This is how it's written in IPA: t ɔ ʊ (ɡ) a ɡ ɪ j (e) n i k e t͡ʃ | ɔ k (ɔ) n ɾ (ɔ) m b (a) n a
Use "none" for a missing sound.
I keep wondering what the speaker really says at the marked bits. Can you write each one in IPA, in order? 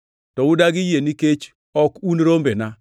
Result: d, e, u, o, e

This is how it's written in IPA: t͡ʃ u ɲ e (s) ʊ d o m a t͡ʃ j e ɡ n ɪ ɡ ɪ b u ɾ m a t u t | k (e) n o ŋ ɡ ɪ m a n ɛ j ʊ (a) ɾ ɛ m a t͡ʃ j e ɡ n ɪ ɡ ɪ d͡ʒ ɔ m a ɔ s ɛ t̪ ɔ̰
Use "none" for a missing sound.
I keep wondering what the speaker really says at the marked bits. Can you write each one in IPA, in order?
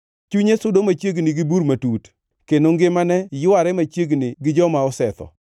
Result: s, e, a

